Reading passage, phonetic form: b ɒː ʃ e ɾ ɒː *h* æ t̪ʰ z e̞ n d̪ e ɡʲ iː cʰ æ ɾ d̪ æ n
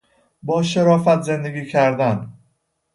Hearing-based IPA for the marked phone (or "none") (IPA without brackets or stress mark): f